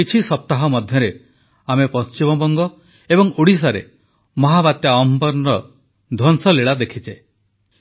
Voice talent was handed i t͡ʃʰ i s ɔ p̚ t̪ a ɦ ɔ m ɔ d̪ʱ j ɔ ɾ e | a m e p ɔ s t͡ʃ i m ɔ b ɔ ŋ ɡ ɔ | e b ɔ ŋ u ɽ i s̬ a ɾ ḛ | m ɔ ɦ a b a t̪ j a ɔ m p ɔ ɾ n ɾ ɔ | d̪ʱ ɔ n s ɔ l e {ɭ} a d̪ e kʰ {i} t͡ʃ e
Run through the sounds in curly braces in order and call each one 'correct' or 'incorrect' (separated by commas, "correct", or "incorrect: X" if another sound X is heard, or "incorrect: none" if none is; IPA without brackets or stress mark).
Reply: correct, correct